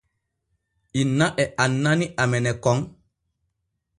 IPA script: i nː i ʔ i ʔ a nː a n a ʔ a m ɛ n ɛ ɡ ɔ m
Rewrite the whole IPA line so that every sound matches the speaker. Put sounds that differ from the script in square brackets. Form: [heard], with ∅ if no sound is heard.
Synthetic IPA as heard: i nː [a] ʔ [ɛ] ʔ a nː a n [i] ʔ a m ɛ n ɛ [k] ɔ [ŋ]